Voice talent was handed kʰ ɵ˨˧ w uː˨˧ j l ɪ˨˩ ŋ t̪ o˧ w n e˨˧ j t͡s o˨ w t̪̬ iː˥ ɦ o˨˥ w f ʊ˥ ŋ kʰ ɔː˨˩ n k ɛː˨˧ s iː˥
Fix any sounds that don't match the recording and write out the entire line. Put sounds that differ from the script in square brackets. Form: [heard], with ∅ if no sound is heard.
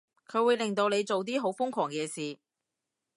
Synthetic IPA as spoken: kʰ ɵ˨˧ w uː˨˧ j l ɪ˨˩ ŋ t̪ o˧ w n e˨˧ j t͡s o˨ w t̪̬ iː˥ ɦ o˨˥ w f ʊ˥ ŋ kʰ ɔː˨˩ [ŋ] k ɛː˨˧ s [iː˨]